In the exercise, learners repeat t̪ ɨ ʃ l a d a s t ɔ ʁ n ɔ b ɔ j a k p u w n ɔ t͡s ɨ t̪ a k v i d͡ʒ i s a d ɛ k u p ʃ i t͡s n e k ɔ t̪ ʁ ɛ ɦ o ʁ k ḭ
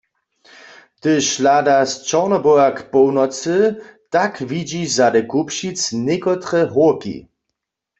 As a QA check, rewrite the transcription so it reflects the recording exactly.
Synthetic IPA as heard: t̪ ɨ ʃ l a d a s t͡ʃ ɔ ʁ n ɔ b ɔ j a k p ɔ w n ɔ t͡s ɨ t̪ a k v i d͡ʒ i z a d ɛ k u p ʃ i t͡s n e k ɔ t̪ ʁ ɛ ɦ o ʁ k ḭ

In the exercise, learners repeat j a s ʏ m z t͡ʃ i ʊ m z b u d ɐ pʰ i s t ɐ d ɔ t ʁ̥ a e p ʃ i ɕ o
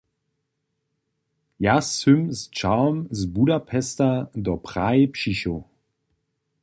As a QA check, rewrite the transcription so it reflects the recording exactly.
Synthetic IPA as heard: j a s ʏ m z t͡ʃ a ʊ m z b u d a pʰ ɛ s t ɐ d ɔ p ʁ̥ a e p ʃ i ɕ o

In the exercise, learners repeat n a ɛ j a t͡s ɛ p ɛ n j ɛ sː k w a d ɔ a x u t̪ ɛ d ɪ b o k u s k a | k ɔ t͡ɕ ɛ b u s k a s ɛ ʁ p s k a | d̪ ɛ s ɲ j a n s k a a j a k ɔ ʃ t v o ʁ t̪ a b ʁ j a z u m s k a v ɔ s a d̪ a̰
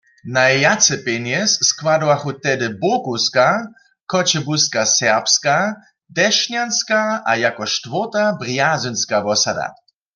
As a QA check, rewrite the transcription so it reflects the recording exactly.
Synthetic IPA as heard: n a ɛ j a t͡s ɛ p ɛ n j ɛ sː k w a d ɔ a x u t̪ ɛ d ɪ b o k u s k a | k ɔ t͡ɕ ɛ b u s k a s ɛ ʁ p s k a | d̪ ɛ ʃ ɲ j a n s k a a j a k ɔ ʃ t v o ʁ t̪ a b ʁ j a z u n s k a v ɔ s a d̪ a̰

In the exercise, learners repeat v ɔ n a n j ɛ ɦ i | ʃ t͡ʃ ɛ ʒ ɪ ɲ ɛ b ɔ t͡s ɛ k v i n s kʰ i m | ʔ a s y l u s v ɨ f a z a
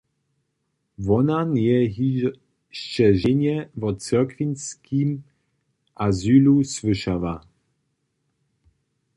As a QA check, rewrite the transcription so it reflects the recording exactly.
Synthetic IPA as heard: v ɔ n a n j ɛ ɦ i | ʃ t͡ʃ ɛ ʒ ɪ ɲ ɛ v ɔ t͡s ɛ k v i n s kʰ i m | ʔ a z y l u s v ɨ ʃ a v a

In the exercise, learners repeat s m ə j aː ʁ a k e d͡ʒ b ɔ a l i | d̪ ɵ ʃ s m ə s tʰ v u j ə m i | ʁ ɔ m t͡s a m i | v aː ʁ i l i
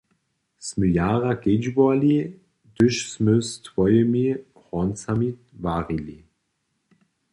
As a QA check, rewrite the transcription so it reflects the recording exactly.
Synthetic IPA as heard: s m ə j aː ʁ a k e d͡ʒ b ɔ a l i | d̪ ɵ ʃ s m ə s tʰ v ɔ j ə m i | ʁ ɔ n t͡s a m i | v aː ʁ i l i

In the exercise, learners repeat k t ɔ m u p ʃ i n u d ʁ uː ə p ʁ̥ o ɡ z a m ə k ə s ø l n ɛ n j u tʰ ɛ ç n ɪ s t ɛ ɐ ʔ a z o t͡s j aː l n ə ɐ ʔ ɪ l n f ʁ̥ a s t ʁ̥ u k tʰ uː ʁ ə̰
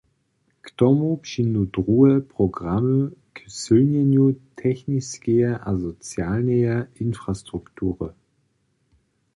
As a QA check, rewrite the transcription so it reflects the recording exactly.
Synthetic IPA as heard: k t ɔ m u p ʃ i n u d ʁ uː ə p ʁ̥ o ɡ ʁ a m ə k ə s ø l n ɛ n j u tʰ ɛ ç n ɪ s k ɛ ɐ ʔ a z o t͡s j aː l n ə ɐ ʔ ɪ n f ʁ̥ a s t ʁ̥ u k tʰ uː ʁ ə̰

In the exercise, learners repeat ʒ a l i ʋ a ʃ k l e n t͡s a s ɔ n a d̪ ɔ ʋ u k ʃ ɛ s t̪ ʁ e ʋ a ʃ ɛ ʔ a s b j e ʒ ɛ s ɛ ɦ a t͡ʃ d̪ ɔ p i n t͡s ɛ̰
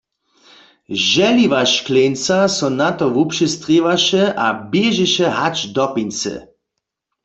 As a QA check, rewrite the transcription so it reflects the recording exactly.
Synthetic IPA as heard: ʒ ɛ l i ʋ a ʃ k l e n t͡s a s ɔ n a t̪ ɔ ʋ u p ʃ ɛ s t̪ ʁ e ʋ a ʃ ɛ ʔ a b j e ʒ ɛ ʃ ɛ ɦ a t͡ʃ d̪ ɔ p i n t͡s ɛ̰

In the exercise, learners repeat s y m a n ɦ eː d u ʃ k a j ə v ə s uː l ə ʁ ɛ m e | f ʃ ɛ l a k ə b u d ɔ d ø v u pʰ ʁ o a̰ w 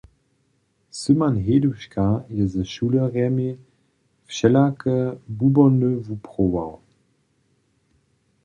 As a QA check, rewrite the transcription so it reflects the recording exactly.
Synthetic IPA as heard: s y m a n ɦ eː d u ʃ k a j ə z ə ʃ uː l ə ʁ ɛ m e | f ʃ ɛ l a k ə b u b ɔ n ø v u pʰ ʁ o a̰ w

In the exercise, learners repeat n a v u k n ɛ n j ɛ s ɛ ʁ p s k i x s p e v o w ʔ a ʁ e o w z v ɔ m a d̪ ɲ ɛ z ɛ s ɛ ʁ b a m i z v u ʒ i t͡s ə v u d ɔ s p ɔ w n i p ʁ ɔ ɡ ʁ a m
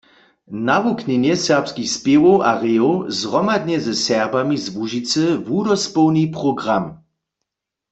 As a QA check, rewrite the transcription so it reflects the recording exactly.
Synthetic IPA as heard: n a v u k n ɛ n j ɛ s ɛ ʁ p s k i x s p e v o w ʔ a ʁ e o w z ʁ ɔ m a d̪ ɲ ɛ z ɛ s ɛ ʁ b a m i z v u ʒ i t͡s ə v u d ɔ s p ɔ w n i p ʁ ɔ ɡ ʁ a m

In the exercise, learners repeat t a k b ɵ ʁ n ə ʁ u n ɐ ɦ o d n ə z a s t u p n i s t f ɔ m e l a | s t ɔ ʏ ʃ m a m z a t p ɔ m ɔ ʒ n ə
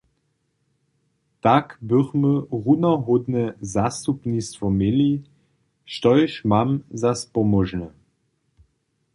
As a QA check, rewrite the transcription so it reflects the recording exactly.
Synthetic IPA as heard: t a k b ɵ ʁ m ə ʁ u n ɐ ɦ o d n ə z a s t u p n i s t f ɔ m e l i | ʃ t ɔ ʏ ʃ m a m z a s p ɔ m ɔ ʒ n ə

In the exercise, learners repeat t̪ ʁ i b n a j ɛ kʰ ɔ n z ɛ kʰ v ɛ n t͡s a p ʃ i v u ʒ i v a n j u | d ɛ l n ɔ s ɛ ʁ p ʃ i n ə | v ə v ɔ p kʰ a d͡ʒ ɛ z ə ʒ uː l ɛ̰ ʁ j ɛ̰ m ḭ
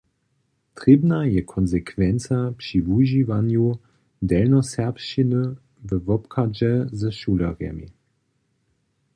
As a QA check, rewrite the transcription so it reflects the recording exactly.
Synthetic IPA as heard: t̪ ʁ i b n a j ɛ kʰ ɔ n z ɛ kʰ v ɛ n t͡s a p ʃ i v u ʒ i v a n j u | d ɛ l n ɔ s ɛ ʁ p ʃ i n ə | v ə v ɔ p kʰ a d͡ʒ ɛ z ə ʃ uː l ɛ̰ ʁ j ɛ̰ m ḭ

